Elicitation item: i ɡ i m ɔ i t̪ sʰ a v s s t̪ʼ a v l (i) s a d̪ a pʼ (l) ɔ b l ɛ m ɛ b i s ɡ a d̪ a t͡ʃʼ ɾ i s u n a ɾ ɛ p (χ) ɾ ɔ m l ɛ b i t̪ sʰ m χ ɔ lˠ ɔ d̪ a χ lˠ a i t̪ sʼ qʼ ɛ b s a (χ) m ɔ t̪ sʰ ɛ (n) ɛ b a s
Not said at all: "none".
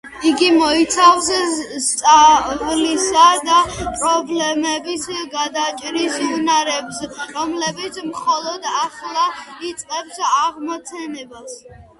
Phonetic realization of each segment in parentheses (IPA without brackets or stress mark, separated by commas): i, ɾ, s, ʁ, n